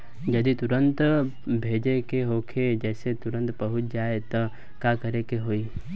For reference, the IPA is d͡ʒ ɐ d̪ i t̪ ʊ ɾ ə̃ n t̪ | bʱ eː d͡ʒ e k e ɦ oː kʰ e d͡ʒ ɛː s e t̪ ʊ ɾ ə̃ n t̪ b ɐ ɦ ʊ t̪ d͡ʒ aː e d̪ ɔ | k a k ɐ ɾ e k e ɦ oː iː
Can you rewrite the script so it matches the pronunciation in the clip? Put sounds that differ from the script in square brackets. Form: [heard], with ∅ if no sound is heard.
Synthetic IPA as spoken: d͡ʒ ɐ d̪ i t̪ ʊ ɾ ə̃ n t̪ | bʱ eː d͡ʒ e k e ɦ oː kʰ e d͡ʒ ɛː s e t̪ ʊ ɾ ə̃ n t̪ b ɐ ɦ ʊ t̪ d͡ʒ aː e [t̪] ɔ | k a k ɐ ɾ e k e ɦ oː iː

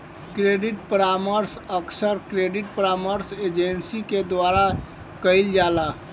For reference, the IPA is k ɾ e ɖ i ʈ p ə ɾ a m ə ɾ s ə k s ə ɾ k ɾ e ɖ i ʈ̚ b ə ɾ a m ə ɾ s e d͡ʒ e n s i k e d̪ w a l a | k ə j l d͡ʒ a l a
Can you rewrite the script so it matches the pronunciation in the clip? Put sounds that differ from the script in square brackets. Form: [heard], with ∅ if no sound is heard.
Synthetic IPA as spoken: k ɾ e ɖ i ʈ p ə ɾ a m ə ɾ s ə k s ə ɾ k ɾ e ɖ i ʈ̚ [p] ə ɾ a m ə ɾ s e d͡ʒ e n s i k e d̪ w a [ɾ] a | k ə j l d͡ʒ a l a

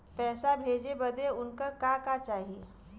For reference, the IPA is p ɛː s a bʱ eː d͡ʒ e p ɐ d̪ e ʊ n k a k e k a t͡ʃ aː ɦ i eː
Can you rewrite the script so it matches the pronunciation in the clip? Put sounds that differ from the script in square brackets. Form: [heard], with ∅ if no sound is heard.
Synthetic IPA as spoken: p ɛː s a bʱ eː d͡ʒ e [b] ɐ d̪ e ʊ n k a k [a] k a t͡ʃ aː ɦ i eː

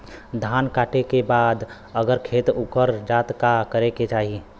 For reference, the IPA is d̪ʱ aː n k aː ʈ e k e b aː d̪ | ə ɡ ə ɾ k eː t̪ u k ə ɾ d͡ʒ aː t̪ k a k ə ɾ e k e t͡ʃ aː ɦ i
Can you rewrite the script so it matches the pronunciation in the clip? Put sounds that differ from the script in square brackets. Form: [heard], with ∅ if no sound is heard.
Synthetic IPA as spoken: d̪ʱ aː n k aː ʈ e k e b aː d̪ | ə ɡ ə ɾ [kʰ] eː t̪ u k ə ɾ d͡ʒ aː t̪ k a k ə ɾ e k e t͡ʃ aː ɦ i

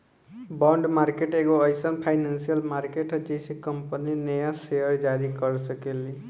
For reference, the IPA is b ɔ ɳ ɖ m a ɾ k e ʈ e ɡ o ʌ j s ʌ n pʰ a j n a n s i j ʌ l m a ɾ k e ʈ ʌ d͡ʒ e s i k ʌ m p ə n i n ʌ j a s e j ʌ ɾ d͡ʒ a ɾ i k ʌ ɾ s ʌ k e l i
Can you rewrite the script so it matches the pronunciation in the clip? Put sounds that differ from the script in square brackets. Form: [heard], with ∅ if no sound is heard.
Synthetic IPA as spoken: b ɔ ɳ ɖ m a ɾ k e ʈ e ɡ o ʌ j s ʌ n pʰ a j n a n s i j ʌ l m a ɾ k e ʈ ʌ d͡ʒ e s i k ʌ m p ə n i n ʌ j a s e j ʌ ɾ d͡ʒ a ɾ i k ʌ ɾ s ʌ k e l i

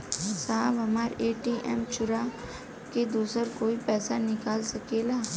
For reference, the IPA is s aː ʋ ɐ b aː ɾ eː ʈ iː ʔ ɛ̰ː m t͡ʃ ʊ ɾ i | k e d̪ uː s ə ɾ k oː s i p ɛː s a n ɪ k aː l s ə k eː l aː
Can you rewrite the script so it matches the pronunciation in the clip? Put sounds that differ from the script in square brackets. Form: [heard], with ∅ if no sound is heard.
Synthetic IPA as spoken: s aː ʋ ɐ [m] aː ɾ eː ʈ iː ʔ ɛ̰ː m t͡ʃ ʊ ɾ [a] | k e d̪ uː s ə ɾ k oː [∅] i p ɛː s a n ɪ k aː l s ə k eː l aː

